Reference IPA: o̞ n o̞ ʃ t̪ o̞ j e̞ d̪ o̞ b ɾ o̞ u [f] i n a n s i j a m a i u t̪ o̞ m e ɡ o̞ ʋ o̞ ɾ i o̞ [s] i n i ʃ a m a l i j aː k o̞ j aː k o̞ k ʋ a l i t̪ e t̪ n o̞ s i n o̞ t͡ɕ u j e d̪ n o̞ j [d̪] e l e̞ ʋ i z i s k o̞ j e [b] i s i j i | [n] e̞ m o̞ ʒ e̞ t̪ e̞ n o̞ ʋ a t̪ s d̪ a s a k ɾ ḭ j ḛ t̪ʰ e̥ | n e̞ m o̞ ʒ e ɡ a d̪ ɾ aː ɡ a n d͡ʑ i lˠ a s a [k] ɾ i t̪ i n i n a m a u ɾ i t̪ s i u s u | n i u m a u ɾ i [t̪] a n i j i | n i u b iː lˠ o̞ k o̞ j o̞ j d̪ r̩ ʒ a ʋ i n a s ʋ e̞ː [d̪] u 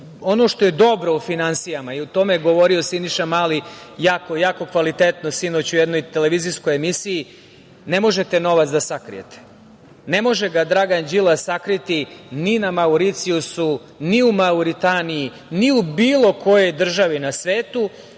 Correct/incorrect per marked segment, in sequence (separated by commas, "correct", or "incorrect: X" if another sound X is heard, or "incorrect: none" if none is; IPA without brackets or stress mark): correct, correct, incorrect: t̪, incorrect: m, correct, correct, correct, incorrect: t̪